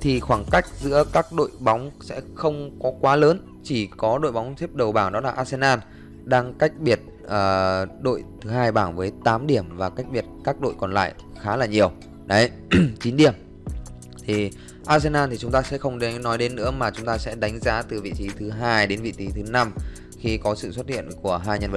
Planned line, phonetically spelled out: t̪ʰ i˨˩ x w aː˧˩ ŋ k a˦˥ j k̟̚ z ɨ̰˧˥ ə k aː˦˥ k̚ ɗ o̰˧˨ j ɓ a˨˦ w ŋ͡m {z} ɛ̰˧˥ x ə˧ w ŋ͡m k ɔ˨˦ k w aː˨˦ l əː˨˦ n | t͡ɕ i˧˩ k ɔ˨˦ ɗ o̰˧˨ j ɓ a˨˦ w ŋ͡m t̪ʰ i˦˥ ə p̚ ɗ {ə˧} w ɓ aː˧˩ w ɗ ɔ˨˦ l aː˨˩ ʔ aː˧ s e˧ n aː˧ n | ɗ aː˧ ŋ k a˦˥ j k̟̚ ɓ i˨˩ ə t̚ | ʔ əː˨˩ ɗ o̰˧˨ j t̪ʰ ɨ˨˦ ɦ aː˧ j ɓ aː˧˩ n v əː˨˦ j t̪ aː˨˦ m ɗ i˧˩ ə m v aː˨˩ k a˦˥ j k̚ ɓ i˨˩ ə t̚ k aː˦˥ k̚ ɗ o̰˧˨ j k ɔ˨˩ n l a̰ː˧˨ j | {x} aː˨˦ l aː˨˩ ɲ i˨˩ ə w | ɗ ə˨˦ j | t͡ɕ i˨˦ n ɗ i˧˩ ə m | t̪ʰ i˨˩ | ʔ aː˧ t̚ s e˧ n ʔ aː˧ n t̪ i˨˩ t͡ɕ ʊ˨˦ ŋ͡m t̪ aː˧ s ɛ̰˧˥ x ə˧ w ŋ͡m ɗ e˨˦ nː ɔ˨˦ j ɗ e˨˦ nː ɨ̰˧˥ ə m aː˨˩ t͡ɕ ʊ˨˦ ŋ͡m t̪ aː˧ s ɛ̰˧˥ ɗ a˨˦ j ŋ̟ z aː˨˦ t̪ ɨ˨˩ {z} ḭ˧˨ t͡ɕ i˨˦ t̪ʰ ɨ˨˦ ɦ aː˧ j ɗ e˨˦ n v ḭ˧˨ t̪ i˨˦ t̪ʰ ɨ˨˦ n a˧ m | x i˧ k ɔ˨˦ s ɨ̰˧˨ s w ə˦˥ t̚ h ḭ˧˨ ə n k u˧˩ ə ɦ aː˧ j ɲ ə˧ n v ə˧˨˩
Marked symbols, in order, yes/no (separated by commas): no, no, yes, no